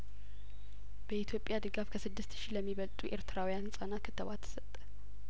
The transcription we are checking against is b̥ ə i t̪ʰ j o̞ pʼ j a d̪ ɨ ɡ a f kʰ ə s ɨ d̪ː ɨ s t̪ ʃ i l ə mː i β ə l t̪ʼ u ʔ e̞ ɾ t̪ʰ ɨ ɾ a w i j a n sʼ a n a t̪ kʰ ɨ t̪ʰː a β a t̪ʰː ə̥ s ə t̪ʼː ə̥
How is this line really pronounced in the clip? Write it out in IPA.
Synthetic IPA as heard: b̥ ə i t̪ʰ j o̞ pʼ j a d̪ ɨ ɡ a f kʰ ə s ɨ d̪ː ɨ s t̪ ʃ i l ə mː i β ə l t̪ʼ u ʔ e̞ ɾ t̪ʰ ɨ ɾ a w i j a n sʼ a n a t̪ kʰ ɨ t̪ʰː ə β a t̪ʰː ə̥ s ə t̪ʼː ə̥